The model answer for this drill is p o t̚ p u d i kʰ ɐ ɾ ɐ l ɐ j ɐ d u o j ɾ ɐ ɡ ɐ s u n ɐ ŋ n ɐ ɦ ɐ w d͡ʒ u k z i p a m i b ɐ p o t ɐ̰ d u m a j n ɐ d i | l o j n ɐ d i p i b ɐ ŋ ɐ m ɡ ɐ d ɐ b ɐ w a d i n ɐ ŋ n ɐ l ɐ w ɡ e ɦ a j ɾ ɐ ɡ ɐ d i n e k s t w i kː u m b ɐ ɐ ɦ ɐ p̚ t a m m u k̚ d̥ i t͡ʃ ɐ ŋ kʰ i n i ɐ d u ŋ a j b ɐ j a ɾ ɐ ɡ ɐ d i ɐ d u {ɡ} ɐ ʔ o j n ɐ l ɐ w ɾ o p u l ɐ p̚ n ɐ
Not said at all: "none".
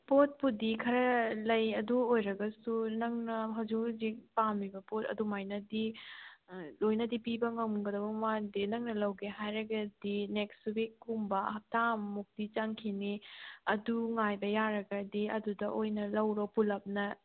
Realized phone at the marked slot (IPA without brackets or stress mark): d